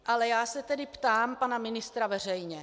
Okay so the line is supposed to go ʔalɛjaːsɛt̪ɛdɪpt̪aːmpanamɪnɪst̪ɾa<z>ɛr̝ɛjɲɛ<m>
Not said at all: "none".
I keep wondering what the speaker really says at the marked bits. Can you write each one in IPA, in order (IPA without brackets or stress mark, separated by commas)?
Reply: v, none